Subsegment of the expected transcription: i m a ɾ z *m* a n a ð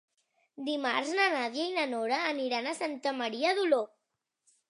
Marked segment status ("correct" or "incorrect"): incorrect